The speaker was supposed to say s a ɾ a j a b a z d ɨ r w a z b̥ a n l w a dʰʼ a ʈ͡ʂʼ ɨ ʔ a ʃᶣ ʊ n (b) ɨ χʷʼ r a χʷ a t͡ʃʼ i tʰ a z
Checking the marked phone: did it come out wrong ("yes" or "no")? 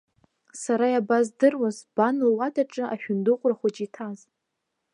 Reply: yes